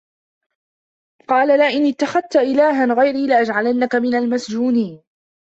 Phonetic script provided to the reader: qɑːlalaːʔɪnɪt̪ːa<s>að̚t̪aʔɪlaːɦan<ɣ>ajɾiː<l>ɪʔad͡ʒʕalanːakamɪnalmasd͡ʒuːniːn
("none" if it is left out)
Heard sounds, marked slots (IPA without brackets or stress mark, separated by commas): x, ɣ, l